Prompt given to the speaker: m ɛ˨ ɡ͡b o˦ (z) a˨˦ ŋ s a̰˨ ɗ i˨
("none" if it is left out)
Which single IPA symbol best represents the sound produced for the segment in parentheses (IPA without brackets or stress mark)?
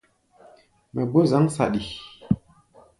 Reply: z